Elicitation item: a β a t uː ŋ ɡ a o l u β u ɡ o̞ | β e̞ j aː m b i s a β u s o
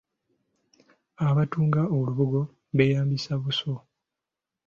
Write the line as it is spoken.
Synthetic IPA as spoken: a β a t uː ŋ ɡ a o l u β u ɡ o̞ | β e̞ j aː m b i s a β u s o